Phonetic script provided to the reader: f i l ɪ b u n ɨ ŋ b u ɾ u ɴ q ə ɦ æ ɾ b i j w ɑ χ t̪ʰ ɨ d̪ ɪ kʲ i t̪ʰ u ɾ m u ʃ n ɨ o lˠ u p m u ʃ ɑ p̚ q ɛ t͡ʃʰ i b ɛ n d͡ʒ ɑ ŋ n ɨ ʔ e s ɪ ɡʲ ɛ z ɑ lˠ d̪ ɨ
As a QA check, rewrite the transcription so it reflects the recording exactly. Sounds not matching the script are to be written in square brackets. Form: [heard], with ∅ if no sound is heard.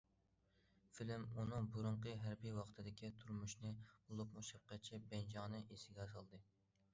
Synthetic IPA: f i l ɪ [m] u n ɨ ŋ b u ɾ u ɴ q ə ɦ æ ɾ b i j w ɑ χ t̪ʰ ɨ d̪ ɪ kʲ i t̪ʰ u ɾ m u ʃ n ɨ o lˠ u p m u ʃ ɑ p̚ q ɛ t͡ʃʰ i b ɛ n d͡ʒ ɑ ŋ n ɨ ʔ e s ɪ ɡʲ ɛ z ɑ lˠ d̪ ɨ